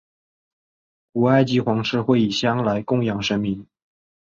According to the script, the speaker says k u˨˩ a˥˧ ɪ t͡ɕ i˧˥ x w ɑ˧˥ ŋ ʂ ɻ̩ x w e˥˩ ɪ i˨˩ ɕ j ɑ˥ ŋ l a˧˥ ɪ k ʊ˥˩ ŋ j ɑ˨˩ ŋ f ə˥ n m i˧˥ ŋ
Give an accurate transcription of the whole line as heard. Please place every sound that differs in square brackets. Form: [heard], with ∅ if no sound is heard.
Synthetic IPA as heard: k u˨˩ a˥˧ ɪ t͡ɕ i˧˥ x w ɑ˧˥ ŋ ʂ ɻ̩ x w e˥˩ ɪ i˨˩ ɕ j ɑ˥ ŋ l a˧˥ ɪ k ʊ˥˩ ŋ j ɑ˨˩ ŋ [ʂ] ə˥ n m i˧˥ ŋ